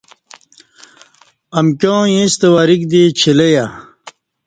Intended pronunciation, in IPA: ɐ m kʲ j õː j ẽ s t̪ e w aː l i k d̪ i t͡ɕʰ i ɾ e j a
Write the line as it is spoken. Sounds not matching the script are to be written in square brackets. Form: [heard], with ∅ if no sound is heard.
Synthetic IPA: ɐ m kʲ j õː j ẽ s t̪ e w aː [ɾ] i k d̪ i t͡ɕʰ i [l] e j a